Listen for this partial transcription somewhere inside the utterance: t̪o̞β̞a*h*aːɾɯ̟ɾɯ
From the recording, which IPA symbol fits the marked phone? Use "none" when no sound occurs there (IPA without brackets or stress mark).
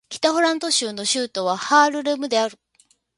h